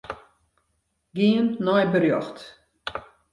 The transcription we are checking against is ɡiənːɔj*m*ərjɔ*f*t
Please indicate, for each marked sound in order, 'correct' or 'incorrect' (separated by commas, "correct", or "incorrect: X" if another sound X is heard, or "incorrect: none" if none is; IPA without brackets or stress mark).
incorrect: b, incorrect: x